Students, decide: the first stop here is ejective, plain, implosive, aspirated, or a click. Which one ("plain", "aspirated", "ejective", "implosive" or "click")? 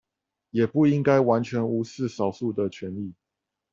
plain